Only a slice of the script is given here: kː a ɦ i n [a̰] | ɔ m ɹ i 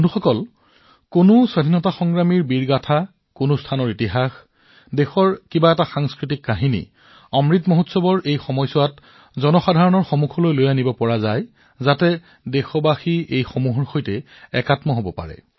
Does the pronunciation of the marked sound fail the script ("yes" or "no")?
yes